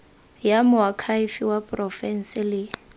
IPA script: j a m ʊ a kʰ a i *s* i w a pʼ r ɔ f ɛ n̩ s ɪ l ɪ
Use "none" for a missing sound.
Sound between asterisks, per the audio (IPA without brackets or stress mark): f